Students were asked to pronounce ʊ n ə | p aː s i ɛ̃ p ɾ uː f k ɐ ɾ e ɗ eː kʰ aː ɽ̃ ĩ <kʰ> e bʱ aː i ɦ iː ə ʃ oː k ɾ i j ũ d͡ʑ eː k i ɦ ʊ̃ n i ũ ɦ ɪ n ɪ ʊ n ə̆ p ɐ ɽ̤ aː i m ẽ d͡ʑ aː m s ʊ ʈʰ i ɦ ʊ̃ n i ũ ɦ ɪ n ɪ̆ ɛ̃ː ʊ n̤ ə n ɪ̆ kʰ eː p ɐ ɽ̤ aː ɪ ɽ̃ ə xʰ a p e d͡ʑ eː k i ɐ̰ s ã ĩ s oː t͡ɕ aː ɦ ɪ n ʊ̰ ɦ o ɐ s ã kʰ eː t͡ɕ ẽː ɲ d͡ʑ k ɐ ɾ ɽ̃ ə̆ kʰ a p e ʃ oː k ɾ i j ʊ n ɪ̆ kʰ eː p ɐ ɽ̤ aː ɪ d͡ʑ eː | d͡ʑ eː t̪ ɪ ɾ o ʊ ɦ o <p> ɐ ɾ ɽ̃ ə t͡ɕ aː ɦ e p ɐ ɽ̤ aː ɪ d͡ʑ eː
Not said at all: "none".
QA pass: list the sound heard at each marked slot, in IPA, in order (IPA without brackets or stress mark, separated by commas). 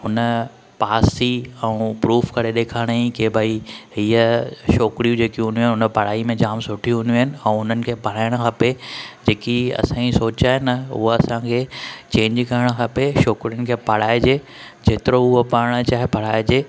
k, p